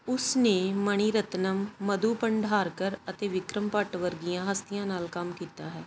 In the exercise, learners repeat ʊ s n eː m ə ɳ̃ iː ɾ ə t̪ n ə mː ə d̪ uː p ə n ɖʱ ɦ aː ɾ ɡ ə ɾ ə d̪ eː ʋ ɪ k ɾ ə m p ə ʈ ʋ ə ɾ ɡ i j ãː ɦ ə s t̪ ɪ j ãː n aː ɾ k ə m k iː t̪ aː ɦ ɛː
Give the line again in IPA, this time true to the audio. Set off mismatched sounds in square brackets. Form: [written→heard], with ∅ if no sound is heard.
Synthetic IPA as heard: ʊ s n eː m ə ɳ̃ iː ɾ ə t̪ n ə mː ə d̪ uː p ə [n→ɳ] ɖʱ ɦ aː ɾ [ɡ→k] ə ɾ ə [d̪→t̪] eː ʋ ɪ k ɾ ə m p ə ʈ ʋ ə ɾ ɡ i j ãː ɦ ə s t̪ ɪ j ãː n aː [ɾ→l] k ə m k iː t̪ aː ɦ ɛː

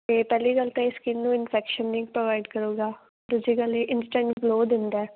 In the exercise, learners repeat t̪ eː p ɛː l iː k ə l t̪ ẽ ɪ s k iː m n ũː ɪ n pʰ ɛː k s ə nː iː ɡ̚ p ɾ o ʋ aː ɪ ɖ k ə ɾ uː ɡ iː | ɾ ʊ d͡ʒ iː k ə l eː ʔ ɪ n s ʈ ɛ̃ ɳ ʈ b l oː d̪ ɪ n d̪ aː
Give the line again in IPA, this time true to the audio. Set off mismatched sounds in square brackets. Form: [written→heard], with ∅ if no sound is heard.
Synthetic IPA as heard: t̪ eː p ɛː l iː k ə l t̪ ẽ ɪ s k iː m n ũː ɪ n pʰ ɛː k [s→ʃ] ə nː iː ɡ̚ p ɾ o ʋ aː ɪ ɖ k ə ɾ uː ɡ [iː→aː] | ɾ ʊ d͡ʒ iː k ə l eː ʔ ɪ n s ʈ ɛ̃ ɳ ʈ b l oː d̪ ɪ n d̪ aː

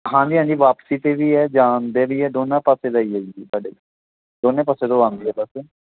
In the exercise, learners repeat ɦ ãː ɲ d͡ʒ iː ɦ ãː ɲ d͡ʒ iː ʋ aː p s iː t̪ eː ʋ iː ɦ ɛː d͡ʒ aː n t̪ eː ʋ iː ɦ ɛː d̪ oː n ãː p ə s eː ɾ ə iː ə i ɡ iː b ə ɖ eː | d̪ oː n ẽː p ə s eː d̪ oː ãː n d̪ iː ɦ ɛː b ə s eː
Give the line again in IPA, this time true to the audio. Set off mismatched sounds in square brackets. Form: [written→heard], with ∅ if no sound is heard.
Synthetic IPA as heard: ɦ ãː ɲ d͡ʒ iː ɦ ãː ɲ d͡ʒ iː ʋ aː p s iː t̪ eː ʋ iː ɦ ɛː d͡ʒ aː n [t̪→d̪] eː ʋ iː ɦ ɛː d̪ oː n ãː p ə s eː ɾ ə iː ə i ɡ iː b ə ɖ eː | d̪ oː n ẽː p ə s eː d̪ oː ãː n d̪ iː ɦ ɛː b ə s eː

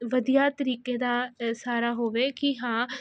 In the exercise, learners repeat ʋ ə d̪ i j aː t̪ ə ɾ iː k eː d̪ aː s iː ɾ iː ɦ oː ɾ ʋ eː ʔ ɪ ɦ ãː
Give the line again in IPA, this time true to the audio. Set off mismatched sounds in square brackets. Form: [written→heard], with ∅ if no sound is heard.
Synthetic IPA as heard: ʋ ə d̪ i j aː t̪ ə ɾ iː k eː d̪ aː s [iː→aː] ɾ [iː→aː] ɦ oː [ɾ→∅] ʋ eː [ʔ→k] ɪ ɦ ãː

